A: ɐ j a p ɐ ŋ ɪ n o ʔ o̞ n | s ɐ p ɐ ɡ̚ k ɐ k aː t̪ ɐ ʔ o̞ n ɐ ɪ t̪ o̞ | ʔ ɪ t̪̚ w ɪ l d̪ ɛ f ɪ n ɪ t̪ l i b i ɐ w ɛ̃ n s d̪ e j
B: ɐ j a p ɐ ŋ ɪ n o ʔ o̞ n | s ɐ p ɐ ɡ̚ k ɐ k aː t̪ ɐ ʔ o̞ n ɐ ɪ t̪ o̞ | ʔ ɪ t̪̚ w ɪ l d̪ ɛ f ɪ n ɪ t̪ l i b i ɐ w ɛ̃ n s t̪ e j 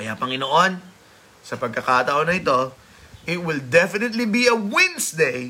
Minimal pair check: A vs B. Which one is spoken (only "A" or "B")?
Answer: A